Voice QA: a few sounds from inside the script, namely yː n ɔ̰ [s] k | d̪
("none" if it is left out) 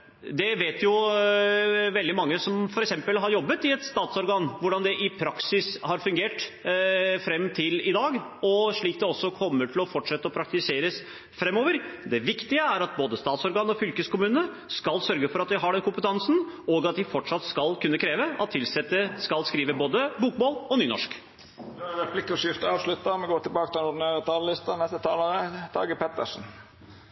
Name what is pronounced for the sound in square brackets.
ʂ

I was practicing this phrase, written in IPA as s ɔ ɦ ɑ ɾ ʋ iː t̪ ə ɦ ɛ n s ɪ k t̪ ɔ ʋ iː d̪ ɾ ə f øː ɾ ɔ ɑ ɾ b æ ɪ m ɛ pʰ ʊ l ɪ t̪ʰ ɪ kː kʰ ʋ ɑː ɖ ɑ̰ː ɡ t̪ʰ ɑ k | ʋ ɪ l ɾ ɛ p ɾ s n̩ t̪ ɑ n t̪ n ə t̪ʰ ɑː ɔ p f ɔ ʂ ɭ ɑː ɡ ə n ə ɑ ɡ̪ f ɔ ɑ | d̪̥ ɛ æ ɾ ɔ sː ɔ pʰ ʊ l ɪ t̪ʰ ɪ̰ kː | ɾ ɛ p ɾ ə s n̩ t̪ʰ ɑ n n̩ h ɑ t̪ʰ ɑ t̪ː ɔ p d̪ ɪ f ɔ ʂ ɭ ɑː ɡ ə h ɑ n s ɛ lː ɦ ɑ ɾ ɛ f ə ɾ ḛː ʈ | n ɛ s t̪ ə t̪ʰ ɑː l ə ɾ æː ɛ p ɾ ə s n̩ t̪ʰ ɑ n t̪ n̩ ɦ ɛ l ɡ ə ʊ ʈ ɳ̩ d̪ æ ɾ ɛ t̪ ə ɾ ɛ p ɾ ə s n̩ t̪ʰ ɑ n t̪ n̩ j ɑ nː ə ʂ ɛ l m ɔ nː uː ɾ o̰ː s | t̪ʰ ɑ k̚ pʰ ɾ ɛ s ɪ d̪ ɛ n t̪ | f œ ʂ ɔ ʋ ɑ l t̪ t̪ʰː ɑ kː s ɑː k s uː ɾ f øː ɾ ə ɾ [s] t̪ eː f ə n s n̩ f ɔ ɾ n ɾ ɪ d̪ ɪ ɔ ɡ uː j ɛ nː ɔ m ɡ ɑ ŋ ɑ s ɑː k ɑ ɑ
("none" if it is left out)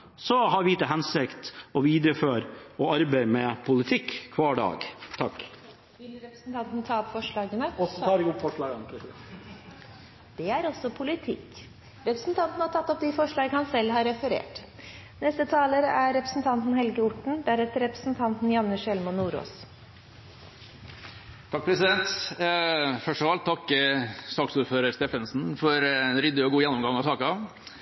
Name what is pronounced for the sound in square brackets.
s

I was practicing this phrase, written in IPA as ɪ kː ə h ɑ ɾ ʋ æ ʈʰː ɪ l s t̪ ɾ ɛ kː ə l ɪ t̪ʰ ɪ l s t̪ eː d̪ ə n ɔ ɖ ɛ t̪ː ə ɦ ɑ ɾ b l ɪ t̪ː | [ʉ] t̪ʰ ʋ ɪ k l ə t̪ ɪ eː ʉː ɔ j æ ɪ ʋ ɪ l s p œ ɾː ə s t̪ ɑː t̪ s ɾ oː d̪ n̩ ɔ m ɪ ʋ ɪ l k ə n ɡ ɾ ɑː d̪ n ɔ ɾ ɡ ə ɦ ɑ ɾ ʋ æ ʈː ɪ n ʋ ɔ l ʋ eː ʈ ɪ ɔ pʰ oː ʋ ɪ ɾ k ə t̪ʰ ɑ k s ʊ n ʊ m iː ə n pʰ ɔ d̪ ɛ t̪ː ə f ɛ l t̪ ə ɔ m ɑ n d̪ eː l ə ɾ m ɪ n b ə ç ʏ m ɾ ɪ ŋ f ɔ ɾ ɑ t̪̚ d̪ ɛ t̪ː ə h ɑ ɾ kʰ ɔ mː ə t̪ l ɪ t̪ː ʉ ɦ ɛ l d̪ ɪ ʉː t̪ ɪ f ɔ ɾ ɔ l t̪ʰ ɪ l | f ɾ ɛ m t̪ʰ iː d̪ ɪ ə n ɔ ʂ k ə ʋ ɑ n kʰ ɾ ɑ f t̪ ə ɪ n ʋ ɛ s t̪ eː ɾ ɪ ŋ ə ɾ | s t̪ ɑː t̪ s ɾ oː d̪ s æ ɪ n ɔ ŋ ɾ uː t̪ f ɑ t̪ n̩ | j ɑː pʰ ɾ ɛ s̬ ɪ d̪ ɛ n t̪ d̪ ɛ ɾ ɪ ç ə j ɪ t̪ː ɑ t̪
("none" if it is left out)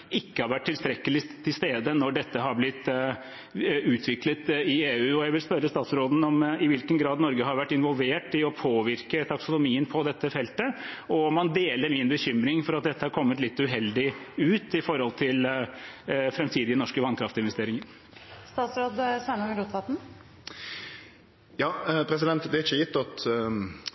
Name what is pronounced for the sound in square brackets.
ʉː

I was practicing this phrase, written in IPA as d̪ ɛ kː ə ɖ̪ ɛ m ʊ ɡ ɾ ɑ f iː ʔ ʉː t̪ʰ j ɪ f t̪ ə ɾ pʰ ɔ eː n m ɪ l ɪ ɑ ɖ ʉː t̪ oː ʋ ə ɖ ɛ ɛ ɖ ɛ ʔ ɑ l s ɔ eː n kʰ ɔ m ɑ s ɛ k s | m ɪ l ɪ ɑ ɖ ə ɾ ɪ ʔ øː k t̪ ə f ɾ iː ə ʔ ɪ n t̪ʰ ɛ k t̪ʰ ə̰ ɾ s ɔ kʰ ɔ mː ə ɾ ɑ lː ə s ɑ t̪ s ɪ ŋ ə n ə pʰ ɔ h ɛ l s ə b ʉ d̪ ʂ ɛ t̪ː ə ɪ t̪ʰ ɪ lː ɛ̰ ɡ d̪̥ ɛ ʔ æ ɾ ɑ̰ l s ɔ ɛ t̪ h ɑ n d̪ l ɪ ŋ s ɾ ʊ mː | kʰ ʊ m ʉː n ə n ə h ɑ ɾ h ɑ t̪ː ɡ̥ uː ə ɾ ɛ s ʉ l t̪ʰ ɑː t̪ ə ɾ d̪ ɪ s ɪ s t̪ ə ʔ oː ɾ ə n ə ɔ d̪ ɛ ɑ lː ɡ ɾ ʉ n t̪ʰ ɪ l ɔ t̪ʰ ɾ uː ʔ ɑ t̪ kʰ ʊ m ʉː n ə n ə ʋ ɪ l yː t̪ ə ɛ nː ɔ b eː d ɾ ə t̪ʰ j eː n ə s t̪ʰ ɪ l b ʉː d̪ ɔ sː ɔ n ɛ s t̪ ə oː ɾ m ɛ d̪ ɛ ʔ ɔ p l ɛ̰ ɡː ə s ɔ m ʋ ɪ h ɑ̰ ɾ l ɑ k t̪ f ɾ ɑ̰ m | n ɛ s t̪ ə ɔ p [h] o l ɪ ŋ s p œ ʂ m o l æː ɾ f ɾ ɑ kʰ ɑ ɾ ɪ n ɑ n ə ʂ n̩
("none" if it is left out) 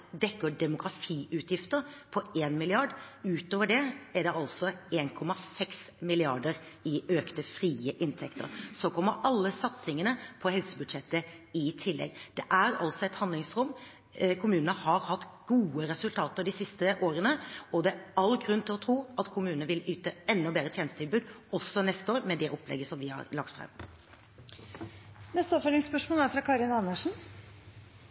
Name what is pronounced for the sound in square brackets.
f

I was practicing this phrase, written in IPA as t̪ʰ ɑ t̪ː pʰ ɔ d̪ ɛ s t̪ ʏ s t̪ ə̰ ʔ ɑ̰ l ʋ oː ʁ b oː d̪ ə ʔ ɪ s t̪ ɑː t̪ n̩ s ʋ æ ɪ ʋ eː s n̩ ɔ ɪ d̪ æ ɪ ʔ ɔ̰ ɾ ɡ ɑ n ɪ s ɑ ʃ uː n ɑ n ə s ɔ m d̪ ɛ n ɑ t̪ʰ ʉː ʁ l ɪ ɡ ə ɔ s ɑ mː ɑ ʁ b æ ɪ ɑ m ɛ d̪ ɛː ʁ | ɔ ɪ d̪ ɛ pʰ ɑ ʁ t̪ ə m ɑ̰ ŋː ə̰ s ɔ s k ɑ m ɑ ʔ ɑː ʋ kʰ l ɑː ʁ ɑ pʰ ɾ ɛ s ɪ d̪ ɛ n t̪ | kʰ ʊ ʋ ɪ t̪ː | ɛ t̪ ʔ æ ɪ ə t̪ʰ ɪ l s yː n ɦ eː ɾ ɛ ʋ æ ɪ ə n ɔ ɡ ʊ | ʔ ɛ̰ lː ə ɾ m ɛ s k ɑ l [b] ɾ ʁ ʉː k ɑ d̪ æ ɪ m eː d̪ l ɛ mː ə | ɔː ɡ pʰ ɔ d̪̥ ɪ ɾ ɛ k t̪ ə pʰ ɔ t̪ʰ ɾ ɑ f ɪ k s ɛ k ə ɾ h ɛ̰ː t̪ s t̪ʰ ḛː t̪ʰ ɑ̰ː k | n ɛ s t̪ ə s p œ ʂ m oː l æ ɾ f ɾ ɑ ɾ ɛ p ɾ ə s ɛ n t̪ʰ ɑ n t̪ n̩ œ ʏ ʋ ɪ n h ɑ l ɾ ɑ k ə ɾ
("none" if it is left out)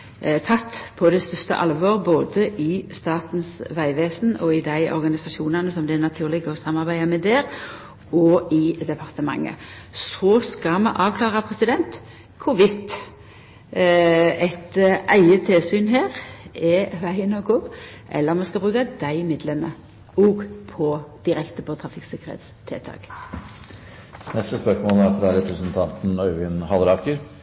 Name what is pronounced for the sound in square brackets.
b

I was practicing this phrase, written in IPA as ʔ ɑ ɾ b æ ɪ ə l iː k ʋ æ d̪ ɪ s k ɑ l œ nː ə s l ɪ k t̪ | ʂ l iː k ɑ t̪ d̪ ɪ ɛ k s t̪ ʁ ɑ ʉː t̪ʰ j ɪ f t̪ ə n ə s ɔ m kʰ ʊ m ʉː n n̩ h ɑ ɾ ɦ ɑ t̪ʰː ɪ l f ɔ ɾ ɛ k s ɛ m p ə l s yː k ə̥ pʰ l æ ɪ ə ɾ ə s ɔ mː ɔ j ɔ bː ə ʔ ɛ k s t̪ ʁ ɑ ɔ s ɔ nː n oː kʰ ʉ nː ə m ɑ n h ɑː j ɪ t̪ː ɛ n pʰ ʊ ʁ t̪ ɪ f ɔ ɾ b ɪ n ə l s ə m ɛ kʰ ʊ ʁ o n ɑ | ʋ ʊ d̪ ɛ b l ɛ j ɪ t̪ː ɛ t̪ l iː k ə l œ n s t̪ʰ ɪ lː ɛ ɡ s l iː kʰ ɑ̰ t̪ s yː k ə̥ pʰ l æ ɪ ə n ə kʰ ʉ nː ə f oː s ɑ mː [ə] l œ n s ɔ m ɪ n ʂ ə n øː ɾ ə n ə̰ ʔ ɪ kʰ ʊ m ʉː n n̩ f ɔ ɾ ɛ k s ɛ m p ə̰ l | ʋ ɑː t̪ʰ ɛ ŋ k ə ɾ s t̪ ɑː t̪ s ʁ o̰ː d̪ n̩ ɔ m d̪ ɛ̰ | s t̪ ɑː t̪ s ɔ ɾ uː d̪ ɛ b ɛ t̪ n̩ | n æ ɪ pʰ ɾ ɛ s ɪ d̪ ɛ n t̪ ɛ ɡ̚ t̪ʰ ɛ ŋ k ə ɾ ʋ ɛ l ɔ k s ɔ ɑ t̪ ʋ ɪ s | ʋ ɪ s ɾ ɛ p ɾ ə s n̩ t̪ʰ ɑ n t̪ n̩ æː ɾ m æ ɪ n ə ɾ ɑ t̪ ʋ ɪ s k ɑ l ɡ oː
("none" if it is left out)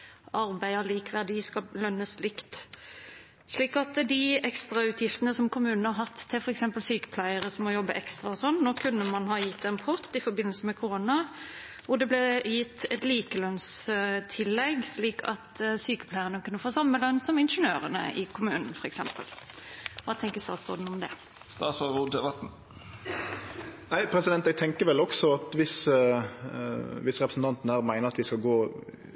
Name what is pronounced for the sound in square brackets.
ə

